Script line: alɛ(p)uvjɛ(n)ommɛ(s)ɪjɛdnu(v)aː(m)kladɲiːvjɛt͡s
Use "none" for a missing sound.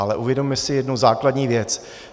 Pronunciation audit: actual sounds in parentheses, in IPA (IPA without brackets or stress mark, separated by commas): ʔ, d, s, z, none